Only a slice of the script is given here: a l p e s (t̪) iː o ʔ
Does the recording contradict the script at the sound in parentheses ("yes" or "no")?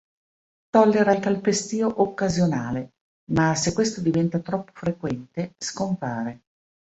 no